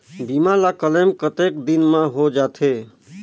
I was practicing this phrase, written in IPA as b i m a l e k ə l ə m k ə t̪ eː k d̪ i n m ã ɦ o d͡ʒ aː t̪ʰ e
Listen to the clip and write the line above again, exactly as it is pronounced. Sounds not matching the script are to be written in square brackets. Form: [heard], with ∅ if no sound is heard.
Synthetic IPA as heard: b i m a l [a] k ə l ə m k ə t̪ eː k d̪ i n m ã ɦ o d͡ʒ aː t̪ʰ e